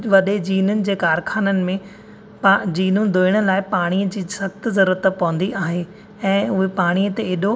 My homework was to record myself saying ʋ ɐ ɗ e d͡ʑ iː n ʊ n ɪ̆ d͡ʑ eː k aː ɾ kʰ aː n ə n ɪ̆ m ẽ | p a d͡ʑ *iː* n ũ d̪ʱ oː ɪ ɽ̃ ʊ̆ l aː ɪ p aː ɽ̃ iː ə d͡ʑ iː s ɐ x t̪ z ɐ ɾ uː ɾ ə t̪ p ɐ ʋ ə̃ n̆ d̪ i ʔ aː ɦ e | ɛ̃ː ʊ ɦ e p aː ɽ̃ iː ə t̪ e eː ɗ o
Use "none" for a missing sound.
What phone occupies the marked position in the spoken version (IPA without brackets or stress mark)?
iː